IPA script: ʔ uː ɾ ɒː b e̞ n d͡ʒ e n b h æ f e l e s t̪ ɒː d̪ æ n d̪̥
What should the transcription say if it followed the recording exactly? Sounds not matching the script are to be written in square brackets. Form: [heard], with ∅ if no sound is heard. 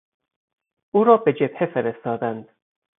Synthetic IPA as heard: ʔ uː ɾ ɒː b e̞ [∅] d͡ʒ e [∅] b h [e] f e [ɾ] e s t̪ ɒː d̪ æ n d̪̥